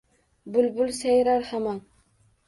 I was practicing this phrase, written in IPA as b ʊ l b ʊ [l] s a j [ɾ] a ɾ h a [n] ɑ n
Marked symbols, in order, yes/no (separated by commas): yes, yes, no